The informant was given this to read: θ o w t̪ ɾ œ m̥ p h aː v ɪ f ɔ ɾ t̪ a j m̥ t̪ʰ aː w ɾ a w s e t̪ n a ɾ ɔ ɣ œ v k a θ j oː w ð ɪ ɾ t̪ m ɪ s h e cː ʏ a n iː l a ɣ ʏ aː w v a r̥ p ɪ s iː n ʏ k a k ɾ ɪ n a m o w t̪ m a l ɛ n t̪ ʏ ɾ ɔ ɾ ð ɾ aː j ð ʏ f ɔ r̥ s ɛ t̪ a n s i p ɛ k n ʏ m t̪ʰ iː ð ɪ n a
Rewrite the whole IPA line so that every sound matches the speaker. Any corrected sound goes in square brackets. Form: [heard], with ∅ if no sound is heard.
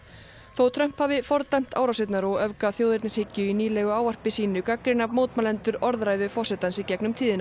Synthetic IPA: θ o w [t̪ʰ] ɾ œ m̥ p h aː v ɪ f ɔ ɾ t̪ a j m̥ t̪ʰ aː w ɾ a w s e t̪ n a ɾ ɔ ɣ œ v k a θ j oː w ð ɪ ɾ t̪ [n] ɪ s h e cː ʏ [i] n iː l [ɛ] ɣ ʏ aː w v a r̥ p ɪ s iː n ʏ k a k ɾ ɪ n a m o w t̪ m a l ɛ n t̪ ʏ ɾ ɔ ɾ ð ɾ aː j ð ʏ f ɔ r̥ s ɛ t̪ a n s i [c] ɛ k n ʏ m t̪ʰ iː ð ɪ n a